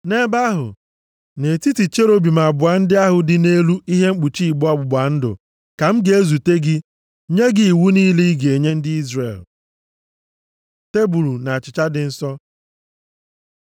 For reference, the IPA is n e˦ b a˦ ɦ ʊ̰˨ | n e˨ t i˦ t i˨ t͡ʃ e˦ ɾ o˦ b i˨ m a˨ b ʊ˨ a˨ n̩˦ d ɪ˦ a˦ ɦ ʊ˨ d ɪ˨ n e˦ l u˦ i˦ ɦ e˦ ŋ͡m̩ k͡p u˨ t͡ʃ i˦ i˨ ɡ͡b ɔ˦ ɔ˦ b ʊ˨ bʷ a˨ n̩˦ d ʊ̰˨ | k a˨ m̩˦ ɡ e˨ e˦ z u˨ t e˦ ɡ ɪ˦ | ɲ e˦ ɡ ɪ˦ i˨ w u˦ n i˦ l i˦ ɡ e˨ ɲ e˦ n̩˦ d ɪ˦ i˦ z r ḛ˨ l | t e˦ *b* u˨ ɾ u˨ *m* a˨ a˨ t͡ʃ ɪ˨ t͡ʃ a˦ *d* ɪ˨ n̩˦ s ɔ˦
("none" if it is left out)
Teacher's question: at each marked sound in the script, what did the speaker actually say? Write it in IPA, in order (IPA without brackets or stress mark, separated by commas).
b, n, d